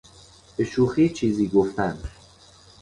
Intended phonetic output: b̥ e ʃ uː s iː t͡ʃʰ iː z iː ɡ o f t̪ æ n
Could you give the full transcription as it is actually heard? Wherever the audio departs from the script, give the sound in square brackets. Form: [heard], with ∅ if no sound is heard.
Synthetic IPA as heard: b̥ e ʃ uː [x] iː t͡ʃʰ iː z iː ɡ o f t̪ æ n